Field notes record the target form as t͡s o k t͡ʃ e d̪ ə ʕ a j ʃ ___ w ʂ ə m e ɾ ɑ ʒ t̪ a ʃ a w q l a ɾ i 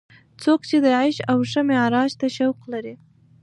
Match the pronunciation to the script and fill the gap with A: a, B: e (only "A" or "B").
A